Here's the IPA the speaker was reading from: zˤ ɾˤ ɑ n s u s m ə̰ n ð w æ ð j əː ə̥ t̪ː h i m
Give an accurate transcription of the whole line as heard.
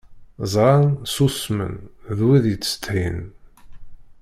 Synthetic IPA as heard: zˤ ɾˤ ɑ n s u s m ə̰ n ð w i ð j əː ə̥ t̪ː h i n